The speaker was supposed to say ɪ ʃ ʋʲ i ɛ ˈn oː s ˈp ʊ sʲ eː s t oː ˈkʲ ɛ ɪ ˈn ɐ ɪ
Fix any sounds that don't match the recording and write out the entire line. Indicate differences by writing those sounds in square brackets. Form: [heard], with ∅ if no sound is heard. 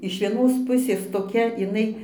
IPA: ɪ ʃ ʋʲ i ɛ ˈn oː s ˈp ʊ sʲ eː s t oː ˈkʲ ɛ ɪ ˈn ɐ ɪ